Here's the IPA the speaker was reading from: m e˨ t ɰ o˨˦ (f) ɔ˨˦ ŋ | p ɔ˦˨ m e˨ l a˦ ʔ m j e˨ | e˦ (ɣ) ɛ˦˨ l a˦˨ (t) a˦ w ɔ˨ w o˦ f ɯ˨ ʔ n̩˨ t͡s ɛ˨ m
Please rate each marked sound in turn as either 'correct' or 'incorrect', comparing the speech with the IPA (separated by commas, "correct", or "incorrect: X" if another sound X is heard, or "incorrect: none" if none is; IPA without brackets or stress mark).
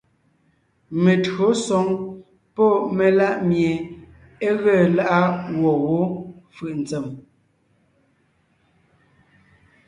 incorrect: s, correct, incorrect: ʔ